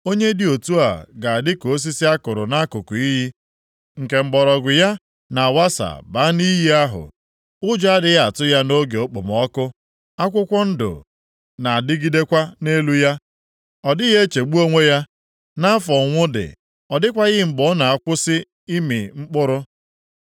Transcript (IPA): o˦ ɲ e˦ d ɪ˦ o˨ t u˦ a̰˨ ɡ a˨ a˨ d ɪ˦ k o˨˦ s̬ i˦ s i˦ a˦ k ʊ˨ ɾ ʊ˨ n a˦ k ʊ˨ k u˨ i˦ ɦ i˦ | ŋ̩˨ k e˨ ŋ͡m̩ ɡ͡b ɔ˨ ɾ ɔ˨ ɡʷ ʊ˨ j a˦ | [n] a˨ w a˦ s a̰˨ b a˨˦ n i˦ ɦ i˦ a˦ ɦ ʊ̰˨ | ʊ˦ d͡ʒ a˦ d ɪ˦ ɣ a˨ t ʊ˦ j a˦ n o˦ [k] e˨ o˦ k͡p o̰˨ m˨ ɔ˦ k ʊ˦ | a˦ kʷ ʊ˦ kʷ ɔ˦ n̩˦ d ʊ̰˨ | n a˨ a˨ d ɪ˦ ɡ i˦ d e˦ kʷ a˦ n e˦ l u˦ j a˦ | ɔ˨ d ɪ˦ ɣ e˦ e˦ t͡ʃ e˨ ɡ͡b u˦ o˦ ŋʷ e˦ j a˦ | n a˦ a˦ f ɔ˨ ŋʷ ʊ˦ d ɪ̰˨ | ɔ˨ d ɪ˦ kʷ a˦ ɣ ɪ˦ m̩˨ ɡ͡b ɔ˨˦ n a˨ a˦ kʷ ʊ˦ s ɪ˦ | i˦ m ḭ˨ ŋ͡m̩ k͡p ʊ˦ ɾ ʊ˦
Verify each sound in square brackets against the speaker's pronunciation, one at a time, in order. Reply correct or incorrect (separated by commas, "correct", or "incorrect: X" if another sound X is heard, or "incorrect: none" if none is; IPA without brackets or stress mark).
correct, incorrect: ɡ